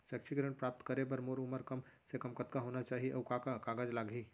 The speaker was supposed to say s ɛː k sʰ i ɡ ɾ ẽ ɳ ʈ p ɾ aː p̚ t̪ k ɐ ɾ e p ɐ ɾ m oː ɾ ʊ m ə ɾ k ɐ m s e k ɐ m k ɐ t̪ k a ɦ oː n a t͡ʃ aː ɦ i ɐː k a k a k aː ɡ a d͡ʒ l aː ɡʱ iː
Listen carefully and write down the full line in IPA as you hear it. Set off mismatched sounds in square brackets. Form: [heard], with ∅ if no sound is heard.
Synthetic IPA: s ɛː k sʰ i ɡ ɾ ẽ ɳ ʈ p ɾ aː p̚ t̪ k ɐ ɾ e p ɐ ɾ m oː ɾ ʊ m ə ɾ k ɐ m s e k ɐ m k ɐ t̪ k a ɦ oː n a t͡ʃ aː ɦ i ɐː k a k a k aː ɡ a d͡ʒ l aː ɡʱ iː